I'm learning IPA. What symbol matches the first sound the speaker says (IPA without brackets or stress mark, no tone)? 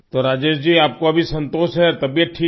t̪